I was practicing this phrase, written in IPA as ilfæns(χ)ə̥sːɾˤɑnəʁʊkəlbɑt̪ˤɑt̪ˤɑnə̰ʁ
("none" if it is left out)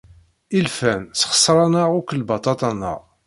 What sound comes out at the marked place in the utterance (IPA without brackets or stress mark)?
χ